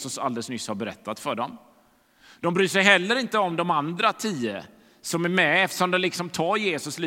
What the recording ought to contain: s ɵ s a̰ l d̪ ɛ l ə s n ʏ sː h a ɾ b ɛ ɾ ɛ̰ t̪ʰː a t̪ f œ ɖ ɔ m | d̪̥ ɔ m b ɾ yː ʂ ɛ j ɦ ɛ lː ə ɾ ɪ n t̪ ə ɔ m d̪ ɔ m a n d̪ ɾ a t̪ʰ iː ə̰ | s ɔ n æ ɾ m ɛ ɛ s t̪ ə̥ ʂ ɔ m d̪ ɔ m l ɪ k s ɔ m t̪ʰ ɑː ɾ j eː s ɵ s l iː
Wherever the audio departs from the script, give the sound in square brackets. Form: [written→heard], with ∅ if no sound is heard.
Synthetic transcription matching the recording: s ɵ s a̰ l d̪ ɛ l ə s n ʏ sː h a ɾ b ɛ ɾ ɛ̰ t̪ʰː a t̪ f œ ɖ ɔ m | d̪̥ ɔ m b ɾ yː ʂ ɛ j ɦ ɛ lː ə ɾ ɪ n t̪ ə ɔ m d̪ ɔ m a n d̪ ɾ a t̪ʰ iː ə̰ | s ɔ [n→m] æ ɾ m ɛ ɛ [s→f] t̪ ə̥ ʂ ɔ m d̪ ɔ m l ɪ k s ɔ m t̪ʰ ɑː ɾ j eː s ɵ s l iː